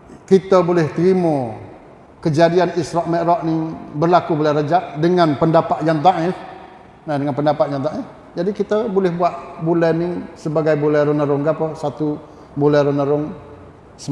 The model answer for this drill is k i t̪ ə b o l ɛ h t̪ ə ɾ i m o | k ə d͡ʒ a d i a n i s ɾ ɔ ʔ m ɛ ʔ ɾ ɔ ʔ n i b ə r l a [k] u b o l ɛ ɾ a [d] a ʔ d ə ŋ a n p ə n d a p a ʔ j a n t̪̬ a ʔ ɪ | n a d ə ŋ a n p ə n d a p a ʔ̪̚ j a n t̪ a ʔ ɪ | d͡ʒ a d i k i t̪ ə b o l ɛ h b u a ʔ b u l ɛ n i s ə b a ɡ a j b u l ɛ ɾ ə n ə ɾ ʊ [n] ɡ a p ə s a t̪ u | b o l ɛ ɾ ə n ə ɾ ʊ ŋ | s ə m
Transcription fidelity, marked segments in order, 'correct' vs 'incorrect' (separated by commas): correct, incorrect, incorrect